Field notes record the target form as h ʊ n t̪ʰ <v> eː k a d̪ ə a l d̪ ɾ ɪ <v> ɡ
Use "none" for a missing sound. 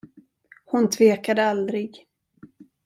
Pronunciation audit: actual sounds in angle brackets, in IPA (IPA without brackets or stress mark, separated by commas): v, none